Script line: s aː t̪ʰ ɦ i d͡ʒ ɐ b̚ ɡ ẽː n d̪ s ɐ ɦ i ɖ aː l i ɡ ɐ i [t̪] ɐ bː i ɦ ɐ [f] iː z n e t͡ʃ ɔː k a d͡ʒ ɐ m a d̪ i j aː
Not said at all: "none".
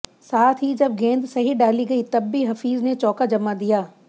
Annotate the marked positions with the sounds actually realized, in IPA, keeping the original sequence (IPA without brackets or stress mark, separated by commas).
t̪, f